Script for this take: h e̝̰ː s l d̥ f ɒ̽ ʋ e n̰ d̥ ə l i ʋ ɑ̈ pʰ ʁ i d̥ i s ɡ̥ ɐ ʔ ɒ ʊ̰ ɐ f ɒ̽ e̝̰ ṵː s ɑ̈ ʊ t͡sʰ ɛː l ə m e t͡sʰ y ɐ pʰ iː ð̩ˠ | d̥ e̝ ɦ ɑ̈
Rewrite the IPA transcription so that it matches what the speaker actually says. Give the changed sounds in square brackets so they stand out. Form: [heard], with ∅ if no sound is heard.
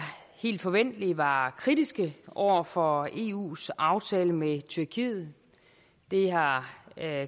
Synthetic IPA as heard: h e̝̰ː [∅] l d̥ f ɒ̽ ʋ e n̰ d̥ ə l i ʋ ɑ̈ [kʰ] ʁ i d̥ i s ɡ̥ [ə] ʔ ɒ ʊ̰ ɐ f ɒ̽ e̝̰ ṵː s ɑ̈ ʊ t͡sʰ ɛː l ə m e t͡sʰ y ɐ [kʰ] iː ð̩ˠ | d̥ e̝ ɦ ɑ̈